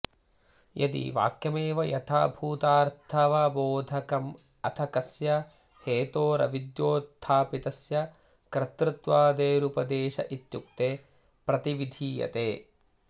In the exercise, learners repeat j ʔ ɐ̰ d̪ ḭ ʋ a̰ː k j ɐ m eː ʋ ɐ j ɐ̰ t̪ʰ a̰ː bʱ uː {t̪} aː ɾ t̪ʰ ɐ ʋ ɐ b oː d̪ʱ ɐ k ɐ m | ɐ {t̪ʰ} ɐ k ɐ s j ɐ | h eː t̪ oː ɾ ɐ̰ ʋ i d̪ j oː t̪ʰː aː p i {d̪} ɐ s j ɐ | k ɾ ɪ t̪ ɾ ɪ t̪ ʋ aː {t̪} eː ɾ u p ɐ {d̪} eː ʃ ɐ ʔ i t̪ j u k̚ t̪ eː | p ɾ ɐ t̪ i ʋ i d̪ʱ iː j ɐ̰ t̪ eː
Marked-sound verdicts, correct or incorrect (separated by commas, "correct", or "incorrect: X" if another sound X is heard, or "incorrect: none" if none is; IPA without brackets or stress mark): correct, correct, incorrect: t̪, incorrect: d̪, correct